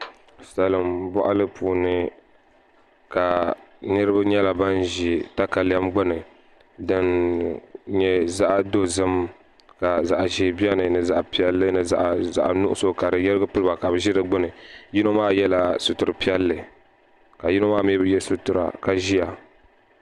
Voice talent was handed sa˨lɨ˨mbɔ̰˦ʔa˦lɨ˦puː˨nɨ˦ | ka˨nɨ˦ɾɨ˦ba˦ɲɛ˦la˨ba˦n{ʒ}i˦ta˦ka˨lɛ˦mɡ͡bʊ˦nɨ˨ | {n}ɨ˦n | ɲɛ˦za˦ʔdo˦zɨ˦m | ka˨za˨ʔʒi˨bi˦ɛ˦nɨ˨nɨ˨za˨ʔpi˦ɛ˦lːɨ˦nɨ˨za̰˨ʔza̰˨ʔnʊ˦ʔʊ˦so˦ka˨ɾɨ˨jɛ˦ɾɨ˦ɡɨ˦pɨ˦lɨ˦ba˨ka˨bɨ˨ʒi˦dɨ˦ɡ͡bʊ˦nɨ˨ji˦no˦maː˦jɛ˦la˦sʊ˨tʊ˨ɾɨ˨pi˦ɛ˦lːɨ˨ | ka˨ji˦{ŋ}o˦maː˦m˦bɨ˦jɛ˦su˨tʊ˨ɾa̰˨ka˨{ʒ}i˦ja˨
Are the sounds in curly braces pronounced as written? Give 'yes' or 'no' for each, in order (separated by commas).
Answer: yes, no, no, yes